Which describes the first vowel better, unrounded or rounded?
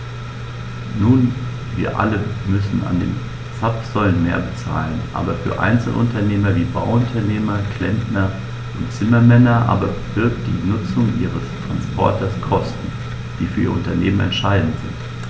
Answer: rounded